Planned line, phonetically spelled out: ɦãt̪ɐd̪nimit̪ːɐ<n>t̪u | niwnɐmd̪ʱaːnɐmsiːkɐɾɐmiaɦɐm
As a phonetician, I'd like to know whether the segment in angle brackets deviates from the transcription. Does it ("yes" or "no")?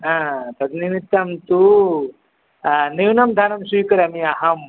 yes